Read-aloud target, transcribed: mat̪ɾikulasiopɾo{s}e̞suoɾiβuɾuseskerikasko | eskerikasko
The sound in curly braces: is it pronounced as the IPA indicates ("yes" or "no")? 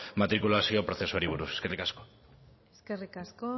no